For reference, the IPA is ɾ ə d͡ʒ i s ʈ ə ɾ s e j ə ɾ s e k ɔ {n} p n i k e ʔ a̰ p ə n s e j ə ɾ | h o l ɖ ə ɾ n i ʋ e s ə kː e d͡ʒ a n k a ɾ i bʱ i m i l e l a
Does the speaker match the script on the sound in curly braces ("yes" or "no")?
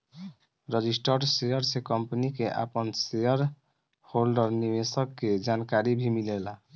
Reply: no